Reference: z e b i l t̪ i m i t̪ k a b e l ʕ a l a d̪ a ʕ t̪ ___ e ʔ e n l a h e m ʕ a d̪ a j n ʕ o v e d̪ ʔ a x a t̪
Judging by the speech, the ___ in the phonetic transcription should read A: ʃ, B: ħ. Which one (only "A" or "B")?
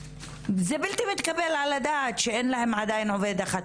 A